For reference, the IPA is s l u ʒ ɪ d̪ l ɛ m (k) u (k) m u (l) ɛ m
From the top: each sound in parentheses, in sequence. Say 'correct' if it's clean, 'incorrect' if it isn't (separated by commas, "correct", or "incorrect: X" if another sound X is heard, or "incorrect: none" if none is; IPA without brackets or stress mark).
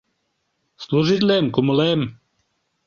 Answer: correct, incorrect: none, correct